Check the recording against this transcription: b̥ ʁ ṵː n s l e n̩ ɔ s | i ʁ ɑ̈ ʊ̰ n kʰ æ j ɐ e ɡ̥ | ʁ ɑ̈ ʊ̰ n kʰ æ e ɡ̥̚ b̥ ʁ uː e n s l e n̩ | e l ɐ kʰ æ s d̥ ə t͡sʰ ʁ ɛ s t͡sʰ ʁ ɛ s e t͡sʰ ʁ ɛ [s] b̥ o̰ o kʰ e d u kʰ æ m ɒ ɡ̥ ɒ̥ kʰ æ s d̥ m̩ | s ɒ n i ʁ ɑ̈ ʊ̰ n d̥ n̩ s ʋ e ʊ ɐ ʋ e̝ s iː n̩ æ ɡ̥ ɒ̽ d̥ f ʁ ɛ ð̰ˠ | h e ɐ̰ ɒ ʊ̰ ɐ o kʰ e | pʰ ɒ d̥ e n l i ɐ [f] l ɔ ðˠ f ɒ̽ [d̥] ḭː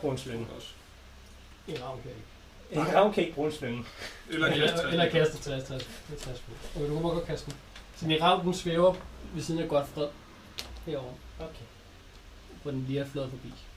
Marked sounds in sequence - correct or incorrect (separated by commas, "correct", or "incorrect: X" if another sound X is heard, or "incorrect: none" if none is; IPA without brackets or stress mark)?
correct, correct, incorrect: b̥